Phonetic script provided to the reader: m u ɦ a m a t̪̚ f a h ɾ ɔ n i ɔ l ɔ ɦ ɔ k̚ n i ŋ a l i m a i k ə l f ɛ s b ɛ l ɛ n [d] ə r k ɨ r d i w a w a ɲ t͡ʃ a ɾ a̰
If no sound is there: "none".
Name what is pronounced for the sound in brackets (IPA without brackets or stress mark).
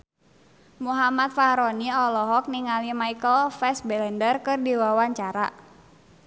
d